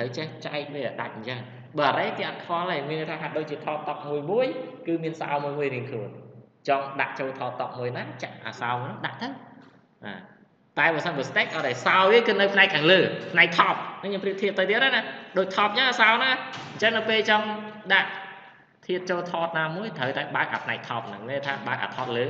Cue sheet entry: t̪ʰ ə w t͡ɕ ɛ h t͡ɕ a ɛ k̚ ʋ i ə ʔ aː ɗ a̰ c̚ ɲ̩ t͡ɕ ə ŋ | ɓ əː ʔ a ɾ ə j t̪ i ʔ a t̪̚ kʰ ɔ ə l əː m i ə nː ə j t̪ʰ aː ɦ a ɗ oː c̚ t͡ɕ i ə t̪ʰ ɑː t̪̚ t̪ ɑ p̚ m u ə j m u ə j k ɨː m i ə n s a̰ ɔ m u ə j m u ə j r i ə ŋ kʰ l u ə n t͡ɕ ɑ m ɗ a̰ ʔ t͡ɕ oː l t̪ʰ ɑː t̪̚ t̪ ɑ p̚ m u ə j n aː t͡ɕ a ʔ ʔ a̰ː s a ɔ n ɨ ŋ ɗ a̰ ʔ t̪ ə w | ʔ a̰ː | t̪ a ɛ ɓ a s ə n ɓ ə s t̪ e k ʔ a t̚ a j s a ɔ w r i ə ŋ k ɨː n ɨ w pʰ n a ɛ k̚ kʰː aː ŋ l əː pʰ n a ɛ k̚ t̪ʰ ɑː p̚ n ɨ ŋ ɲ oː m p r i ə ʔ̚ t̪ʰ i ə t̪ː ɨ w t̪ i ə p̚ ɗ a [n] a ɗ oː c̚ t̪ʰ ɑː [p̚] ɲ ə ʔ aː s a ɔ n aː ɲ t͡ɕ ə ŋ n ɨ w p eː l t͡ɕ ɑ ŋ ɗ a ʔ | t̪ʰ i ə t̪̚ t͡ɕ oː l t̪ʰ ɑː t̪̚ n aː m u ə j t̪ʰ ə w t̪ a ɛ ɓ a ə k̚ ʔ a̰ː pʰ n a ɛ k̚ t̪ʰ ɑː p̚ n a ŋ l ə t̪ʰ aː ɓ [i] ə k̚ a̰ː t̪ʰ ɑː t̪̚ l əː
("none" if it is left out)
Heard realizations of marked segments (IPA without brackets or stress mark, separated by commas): n, p̚, a